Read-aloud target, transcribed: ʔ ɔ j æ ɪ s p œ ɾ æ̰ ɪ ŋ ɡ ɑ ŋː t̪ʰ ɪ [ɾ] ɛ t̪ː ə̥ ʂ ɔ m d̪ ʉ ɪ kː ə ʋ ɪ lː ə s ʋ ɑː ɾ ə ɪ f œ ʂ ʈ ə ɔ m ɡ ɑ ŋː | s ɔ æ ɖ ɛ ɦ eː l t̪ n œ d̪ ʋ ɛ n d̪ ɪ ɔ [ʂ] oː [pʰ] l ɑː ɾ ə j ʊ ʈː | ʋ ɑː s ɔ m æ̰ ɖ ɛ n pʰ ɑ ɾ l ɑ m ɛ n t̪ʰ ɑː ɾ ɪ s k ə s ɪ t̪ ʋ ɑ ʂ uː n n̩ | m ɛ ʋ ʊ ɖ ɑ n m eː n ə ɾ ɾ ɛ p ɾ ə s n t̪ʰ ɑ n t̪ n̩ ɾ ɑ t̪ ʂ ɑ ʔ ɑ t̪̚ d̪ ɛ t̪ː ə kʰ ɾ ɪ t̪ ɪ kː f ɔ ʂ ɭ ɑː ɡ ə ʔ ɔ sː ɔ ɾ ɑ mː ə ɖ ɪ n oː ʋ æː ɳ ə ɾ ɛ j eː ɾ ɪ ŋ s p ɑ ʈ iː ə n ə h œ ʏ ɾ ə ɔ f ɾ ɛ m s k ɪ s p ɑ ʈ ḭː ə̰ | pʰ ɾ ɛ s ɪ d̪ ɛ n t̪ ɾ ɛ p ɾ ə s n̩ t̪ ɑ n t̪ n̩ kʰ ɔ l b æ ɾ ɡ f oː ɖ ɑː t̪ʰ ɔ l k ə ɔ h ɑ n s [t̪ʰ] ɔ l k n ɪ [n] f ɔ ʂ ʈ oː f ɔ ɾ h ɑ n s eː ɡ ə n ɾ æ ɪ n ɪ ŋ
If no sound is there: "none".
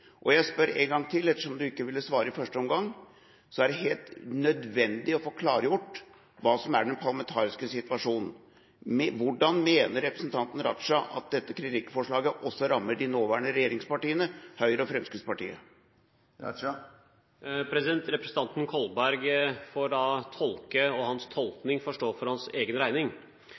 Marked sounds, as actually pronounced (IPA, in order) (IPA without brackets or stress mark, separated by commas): l, f, kʰ, t̪ʰ, ŋ